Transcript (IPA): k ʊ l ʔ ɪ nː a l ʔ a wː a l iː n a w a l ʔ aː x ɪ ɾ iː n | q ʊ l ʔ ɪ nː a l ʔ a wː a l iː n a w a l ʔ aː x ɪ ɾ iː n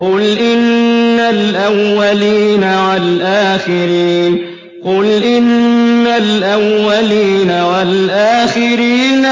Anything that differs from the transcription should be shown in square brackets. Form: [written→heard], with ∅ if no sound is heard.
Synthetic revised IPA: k ʊ l ʔ ɪ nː a l ʔ a wː a l iː n a w a l ʔ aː x ɪ ɾ iː n | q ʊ l ʔ ɪ nː a l ʔ a wː a l iː n a w a l ʔ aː x ɪ ɾ iː n